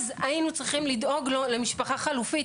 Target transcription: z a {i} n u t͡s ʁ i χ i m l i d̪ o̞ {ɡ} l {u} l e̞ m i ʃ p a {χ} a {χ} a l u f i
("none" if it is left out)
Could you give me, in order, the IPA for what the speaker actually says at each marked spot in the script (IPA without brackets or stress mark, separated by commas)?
i, ɡ, o, χ, χ